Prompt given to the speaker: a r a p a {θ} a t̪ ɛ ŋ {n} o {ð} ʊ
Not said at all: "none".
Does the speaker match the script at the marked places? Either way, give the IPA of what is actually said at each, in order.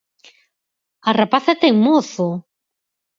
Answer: θ, m, θ

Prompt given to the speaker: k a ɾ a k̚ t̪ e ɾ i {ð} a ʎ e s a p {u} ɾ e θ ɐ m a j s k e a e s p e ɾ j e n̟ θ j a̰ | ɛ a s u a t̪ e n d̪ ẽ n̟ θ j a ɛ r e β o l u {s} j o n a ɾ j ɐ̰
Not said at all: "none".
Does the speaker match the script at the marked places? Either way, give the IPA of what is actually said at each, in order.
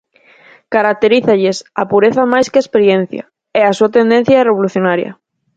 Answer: θ, u, θ

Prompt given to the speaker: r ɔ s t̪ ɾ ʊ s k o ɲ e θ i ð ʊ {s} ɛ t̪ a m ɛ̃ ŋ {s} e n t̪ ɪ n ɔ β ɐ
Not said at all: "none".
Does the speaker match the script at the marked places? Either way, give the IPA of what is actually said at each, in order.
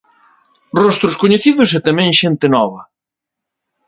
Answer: s, ʃ

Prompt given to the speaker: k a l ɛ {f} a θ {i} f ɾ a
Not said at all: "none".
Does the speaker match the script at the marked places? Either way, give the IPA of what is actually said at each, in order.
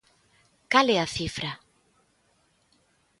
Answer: none, i

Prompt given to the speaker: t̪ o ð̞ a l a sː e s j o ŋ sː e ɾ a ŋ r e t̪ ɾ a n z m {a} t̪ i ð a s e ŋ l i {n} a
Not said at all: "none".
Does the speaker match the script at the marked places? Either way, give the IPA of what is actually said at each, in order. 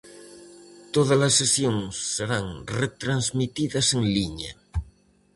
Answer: i, ɲ

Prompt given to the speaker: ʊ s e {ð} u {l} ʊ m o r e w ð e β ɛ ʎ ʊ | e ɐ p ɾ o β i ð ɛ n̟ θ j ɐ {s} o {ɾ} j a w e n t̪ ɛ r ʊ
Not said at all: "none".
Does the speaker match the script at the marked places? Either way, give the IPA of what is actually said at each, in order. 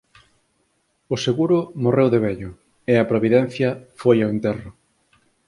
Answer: ɣ, ɾ, f, none

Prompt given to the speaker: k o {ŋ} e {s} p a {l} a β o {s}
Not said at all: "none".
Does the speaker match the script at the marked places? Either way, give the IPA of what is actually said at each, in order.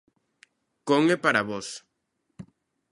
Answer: ŋ, none, ɾ, s

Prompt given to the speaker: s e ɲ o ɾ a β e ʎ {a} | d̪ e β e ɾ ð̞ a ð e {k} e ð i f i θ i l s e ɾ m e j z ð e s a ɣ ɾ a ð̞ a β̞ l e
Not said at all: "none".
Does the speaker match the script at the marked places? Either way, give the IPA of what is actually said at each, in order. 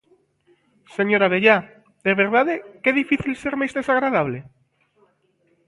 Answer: a, k

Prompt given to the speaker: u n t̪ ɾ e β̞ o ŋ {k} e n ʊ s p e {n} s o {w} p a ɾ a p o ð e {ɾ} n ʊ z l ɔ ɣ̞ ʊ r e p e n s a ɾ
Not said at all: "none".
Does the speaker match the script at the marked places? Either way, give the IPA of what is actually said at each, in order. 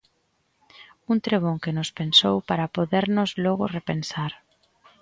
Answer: k, n, w, ɾ

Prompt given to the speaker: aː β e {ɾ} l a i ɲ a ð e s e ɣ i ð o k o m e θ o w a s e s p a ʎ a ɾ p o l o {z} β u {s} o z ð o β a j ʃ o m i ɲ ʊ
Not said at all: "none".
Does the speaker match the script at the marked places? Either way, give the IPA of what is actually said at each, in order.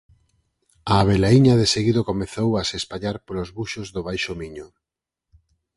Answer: none, z, ʃ

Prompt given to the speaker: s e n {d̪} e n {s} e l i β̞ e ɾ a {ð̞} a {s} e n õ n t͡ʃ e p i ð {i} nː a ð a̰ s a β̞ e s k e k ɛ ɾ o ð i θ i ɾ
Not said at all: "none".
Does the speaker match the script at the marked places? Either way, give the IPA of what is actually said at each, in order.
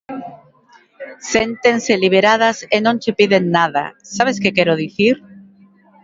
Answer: t̪, s, ð̞, s, e

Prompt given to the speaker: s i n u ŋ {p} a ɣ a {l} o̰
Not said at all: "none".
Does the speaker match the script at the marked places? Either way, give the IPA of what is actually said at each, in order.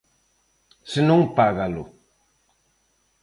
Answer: p, l

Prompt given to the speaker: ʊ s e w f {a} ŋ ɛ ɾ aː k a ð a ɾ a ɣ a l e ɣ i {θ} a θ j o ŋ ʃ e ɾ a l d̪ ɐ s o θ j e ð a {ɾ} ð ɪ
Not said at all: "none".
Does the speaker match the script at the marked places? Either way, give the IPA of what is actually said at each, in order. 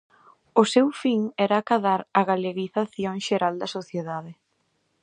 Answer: i, θ, none

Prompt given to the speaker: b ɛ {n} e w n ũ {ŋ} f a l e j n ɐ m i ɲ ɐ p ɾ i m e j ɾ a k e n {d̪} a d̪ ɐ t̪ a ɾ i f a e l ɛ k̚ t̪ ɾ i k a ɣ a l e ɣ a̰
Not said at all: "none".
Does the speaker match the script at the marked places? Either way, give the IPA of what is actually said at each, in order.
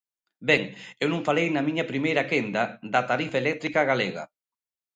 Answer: ŋ, ŋ, d̪

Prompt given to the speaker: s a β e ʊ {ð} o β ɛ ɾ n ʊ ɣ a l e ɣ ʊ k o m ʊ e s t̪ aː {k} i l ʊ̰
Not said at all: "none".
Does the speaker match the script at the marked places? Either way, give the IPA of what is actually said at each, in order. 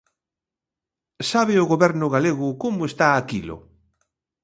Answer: ɣ, k

